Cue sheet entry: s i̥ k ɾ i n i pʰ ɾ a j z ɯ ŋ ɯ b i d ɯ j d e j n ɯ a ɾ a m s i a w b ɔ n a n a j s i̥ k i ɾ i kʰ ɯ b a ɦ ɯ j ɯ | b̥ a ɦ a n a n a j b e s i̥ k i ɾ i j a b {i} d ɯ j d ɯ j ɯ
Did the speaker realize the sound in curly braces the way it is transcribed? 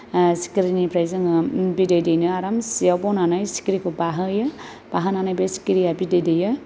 yes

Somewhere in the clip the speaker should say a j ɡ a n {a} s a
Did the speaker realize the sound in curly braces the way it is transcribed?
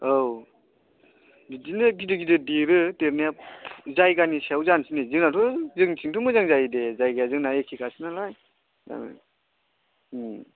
no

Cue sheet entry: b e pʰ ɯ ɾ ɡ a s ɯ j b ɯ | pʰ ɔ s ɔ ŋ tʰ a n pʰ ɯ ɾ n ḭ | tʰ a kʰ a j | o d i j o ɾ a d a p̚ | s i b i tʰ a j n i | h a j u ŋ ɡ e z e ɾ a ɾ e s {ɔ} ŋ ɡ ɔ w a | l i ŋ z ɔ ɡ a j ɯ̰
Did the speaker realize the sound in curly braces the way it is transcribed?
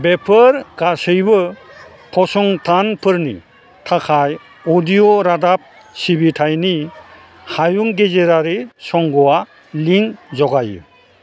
yes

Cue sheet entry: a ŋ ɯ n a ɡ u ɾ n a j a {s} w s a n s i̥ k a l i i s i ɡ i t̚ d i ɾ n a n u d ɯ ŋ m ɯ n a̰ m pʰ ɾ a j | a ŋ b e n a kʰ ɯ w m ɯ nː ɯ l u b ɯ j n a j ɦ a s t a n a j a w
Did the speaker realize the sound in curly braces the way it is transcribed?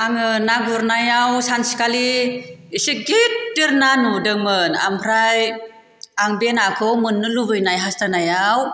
no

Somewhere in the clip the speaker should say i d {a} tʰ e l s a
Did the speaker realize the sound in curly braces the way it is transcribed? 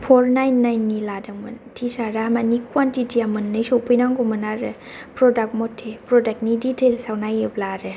no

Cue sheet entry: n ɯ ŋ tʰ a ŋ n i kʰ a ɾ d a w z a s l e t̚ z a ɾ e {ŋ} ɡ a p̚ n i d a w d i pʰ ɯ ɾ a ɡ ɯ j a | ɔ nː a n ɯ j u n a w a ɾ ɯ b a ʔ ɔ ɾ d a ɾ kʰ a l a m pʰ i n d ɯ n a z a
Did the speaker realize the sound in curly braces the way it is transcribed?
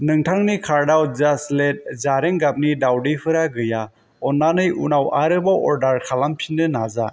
yes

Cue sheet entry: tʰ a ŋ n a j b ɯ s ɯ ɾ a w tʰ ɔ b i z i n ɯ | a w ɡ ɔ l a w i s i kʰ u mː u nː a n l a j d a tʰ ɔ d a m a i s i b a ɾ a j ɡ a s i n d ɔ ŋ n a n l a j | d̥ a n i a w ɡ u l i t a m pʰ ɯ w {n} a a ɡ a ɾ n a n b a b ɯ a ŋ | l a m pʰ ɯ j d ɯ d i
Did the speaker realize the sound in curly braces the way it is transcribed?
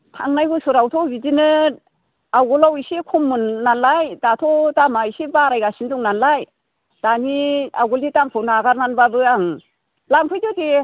yes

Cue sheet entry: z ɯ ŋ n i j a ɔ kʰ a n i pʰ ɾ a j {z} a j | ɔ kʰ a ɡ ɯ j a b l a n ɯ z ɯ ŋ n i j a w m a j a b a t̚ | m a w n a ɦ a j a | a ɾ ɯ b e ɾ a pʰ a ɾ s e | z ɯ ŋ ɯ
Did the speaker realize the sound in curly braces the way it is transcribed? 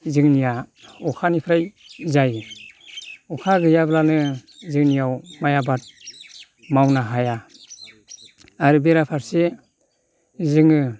yes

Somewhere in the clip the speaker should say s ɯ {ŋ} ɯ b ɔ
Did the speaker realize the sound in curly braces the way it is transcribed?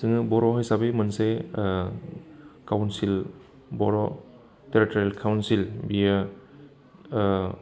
yes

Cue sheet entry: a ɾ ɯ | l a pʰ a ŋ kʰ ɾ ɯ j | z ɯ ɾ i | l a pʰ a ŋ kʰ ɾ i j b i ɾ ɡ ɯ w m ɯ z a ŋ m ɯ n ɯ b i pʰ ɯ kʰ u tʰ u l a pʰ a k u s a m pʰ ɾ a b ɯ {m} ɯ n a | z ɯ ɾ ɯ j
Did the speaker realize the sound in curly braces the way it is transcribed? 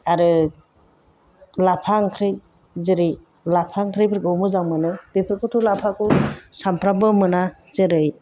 yes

